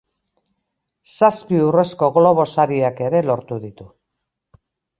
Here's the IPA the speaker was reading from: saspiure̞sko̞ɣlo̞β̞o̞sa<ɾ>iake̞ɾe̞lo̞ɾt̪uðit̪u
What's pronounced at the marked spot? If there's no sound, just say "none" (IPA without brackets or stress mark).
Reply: ɾ